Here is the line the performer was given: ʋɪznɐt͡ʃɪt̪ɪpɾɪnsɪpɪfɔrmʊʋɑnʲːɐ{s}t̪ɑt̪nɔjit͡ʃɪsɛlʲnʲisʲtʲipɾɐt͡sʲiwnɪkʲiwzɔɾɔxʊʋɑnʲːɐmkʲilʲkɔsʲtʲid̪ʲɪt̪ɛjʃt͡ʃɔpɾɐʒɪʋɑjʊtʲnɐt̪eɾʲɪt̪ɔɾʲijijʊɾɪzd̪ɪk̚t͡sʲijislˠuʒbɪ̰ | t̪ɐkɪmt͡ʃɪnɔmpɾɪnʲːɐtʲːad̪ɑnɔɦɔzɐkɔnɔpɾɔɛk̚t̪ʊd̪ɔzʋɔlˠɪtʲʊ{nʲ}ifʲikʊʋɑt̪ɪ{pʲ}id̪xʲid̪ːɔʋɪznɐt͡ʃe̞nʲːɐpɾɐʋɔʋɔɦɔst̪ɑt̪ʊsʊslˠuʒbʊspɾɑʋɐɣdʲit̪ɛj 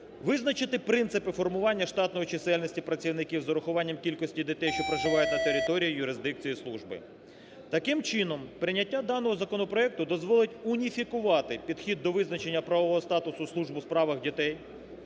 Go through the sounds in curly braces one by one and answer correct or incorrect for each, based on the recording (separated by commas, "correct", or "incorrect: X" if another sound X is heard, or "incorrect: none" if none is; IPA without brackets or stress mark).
incorrect: ʃ, correct, correct